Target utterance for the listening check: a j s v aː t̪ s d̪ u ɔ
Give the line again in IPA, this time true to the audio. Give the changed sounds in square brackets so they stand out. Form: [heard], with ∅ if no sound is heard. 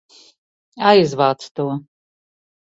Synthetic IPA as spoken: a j [z] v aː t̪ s [t̪] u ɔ